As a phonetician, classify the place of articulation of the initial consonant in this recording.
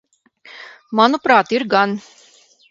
labial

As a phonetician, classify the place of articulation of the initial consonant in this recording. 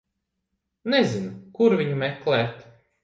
alveolar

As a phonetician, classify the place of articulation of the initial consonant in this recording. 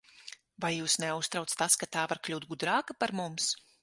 labial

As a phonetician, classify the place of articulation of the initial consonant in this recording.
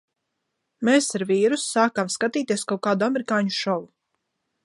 labial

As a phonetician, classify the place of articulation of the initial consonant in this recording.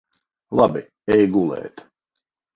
alveolar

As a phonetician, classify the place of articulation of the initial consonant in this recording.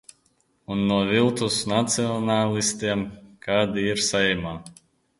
alveolar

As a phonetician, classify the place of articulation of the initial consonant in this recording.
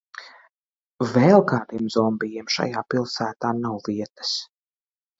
labial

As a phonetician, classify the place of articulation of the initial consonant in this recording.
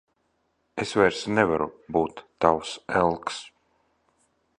alveolar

